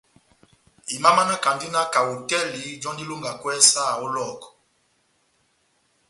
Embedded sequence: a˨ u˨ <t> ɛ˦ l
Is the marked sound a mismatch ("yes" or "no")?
no